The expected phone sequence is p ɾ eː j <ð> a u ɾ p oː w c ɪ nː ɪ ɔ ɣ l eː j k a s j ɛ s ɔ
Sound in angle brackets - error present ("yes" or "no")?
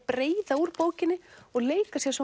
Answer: no